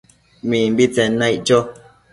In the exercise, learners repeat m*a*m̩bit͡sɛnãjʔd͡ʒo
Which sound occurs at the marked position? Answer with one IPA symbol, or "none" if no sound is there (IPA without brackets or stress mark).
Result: i